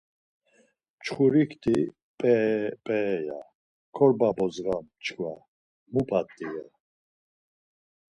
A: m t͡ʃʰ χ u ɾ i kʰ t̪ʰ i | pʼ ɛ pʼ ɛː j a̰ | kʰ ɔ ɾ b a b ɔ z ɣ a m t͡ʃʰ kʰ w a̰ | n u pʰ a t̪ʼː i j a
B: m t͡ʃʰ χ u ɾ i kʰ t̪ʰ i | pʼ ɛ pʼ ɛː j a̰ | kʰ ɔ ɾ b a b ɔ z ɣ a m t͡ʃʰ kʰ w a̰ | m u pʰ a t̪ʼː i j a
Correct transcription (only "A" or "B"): B